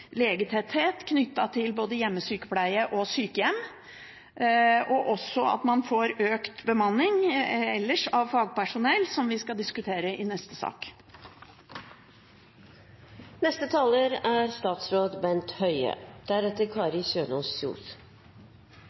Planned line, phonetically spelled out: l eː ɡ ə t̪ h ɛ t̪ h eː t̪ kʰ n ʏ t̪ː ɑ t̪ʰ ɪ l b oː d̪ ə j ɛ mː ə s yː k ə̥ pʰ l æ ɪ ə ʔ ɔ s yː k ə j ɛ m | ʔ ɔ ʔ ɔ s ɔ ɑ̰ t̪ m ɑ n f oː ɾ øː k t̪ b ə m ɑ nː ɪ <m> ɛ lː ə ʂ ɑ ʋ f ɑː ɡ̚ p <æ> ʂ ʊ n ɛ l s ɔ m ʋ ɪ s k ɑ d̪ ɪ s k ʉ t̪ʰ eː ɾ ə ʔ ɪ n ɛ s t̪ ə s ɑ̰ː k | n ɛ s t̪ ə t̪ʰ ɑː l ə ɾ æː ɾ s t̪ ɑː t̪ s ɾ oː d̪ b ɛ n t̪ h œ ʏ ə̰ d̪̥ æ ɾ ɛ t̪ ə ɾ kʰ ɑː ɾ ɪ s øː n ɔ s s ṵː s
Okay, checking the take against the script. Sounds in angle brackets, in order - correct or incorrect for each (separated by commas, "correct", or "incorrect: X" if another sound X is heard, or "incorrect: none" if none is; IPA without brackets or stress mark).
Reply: incorrect: ŋ, correct